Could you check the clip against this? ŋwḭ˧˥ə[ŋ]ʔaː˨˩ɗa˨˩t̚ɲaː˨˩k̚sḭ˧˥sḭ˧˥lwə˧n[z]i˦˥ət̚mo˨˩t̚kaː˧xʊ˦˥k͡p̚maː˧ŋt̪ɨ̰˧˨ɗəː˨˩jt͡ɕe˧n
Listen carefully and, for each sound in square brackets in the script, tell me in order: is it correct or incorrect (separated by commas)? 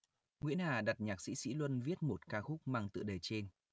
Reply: incorrect, incorrect